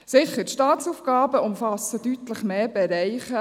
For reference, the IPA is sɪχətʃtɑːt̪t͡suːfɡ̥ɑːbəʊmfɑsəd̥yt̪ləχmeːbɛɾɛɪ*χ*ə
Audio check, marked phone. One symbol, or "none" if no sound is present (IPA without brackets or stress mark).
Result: χ